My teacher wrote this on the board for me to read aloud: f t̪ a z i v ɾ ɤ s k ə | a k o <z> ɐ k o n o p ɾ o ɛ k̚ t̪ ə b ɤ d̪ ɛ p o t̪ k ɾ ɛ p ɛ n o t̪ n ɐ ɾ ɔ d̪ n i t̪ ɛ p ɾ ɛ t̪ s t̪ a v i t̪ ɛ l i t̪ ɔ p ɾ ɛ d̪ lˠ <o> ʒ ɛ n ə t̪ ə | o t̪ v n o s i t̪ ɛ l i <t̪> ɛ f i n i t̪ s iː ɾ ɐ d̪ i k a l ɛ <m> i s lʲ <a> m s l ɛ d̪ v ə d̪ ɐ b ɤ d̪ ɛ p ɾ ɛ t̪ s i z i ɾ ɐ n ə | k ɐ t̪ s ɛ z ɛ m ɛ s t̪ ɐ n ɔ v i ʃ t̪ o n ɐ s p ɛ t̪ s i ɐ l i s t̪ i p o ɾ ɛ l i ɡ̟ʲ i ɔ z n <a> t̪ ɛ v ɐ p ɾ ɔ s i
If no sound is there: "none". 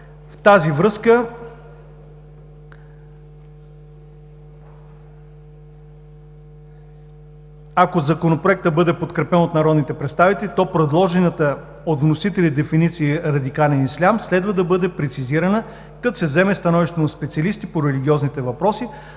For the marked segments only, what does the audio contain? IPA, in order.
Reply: z, ɔ, d̪, n, a, i

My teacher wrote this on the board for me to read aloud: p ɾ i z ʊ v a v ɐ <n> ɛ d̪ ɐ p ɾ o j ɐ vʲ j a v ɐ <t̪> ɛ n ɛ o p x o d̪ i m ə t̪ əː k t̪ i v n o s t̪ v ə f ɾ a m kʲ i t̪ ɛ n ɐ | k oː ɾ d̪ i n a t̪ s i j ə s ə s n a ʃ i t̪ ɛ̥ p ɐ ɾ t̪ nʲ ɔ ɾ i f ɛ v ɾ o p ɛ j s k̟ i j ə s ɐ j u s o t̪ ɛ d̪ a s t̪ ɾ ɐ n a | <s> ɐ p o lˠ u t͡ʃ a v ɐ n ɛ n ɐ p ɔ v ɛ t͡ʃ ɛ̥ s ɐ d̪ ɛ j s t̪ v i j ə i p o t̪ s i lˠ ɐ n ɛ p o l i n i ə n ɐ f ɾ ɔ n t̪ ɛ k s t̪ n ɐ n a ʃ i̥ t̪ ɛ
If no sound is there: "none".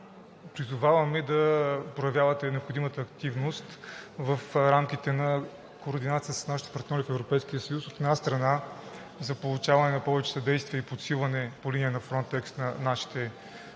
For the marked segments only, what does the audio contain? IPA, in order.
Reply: m, t̪, z

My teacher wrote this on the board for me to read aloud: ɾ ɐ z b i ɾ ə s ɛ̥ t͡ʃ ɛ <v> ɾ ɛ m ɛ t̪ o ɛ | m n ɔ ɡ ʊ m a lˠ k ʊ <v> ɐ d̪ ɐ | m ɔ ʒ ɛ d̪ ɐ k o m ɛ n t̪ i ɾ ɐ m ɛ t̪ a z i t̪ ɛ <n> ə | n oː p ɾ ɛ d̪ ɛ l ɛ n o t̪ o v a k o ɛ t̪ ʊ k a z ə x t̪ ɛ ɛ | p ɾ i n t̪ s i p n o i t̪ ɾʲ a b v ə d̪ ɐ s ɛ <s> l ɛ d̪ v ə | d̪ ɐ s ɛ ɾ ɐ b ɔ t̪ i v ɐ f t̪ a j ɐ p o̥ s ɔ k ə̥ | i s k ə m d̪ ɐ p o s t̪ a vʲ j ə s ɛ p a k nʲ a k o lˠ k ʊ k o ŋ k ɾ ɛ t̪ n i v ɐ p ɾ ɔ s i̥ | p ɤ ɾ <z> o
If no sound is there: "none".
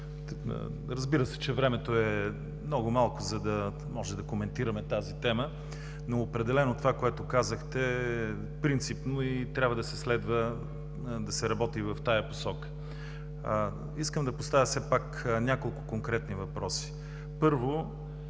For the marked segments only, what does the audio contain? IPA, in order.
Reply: v, z, m, s, v

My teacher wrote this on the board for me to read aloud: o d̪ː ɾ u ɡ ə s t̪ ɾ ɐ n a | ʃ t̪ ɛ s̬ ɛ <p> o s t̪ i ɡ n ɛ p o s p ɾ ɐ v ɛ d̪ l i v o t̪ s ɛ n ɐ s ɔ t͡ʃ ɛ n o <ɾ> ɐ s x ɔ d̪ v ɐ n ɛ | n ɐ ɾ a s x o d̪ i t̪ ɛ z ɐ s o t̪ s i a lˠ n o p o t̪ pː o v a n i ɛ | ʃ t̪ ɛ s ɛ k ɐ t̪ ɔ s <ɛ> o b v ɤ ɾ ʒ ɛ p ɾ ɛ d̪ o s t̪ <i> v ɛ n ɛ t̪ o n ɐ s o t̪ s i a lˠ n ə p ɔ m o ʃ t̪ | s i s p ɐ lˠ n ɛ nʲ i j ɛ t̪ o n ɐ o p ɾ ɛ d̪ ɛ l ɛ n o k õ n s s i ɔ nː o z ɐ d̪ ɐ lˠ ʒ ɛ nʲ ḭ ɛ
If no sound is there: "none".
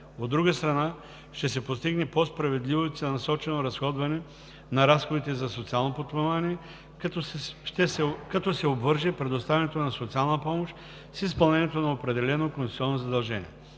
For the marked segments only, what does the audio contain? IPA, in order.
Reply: p, ɾ, ɛ, a

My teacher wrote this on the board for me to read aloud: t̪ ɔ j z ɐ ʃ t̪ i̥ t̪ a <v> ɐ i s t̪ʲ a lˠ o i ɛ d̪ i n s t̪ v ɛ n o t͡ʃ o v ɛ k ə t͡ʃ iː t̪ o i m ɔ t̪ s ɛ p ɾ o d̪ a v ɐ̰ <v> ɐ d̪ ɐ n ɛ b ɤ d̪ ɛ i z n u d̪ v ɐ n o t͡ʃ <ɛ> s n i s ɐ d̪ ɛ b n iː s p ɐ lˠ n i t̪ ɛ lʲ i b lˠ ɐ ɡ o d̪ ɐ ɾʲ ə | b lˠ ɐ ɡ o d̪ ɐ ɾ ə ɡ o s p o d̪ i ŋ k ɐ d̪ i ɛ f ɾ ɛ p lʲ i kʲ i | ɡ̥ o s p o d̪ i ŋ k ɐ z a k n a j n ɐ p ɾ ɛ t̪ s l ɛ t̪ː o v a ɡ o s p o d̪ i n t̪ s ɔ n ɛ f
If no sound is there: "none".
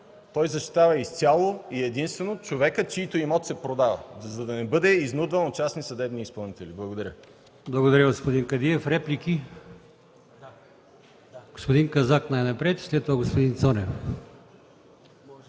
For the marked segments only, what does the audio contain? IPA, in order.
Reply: v, z, a

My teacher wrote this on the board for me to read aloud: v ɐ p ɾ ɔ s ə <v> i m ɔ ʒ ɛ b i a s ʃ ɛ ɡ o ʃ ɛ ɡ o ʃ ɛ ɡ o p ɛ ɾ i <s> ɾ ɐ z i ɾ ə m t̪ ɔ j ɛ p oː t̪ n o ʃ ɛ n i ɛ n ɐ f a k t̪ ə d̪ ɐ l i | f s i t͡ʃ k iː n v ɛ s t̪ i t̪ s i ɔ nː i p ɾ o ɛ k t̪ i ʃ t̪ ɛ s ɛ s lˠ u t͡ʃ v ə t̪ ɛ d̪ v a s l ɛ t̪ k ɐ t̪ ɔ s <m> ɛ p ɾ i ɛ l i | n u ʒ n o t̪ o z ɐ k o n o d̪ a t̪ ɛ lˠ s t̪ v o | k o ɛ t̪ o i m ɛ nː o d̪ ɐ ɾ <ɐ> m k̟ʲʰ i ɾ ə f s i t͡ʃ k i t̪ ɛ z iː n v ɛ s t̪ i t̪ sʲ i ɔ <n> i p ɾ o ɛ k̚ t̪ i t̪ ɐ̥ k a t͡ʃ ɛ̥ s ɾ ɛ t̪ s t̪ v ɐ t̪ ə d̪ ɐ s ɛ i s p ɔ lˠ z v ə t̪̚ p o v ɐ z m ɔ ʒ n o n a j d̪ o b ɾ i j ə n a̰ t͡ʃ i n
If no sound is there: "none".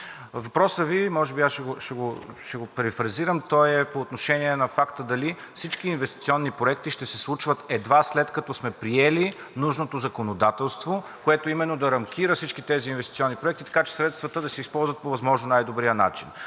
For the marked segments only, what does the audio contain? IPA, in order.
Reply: v, f, m, ɐ, nː

